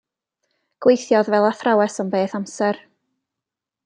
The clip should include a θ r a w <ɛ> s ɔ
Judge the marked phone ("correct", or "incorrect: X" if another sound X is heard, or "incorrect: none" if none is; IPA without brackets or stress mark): correct